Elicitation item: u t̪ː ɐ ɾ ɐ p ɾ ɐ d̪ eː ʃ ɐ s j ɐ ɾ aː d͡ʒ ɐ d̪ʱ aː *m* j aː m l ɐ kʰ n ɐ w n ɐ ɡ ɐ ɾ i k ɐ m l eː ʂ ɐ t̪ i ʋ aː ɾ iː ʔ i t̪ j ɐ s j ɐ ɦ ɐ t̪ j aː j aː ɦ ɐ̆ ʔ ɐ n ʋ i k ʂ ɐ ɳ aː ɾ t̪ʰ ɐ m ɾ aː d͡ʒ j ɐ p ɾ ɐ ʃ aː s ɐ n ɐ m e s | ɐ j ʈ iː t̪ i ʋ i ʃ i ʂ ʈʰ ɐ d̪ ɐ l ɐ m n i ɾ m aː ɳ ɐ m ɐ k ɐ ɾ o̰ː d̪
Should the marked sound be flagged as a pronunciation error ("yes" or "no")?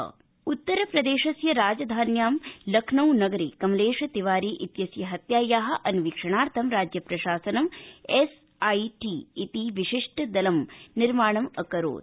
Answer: yes